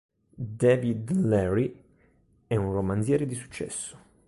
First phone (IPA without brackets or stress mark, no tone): d̪